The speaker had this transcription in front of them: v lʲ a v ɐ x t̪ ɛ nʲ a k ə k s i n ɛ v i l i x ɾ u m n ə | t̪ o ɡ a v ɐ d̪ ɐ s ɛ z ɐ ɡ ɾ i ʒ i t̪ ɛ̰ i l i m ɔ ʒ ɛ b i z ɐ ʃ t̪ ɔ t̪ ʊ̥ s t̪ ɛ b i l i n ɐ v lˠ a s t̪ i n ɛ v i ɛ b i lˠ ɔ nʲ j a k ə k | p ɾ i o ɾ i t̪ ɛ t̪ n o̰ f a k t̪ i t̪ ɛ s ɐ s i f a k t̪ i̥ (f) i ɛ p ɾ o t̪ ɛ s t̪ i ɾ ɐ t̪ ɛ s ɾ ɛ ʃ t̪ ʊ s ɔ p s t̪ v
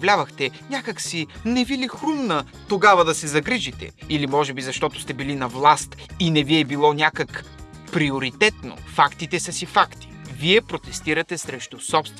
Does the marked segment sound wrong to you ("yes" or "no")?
yes